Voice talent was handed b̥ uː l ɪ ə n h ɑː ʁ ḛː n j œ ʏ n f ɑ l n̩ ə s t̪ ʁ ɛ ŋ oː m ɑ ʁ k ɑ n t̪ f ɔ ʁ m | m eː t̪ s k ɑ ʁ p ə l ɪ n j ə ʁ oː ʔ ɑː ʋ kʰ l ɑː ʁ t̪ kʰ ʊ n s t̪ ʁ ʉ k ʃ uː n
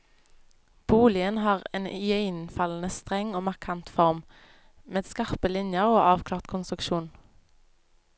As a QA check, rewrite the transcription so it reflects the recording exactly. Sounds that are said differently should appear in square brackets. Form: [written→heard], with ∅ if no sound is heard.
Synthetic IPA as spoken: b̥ uː l ɪ ə n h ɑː ʁ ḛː n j œ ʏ n f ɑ l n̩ ə s t̪ ʁ ɛ ŋ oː m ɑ ʁ [k→kʰ] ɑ n t̪ f ɔ ʁ m | m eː [t̪→d̪] s k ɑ ʁ p ə l ɪ n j ə ʁ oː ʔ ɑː ʋ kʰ l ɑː ʁ t̪ kʰ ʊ n s t̪ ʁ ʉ k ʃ uː n